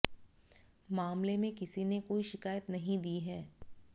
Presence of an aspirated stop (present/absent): absent